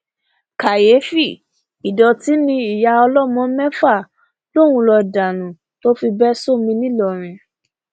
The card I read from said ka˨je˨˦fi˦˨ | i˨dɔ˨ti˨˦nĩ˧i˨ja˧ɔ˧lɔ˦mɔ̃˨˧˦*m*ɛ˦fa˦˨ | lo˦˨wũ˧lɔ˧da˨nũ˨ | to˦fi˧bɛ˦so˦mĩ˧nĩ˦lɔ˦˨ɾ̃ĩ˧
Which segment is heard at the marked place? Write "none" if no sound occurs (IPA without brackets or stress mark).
m